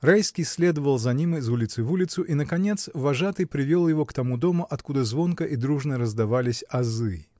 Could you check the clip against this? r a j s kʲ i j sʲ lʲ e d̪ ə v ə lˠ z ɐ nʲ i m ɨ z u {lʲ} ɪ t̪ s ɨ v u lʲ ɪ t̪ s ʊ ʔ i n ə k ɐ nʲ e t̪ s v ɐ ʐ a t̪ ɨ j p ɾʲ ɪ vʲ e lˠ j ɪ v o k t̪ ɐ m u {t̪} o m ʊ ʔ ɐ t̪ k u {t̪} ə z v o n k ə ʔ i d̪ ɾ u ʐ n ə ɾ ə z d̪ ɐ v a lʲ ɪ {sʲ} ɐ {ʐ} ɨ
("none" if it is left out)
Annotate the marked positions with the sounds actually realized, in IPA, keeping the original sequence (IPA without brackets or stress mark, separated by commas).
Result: lʲ, d̪, d̪, sʲ, z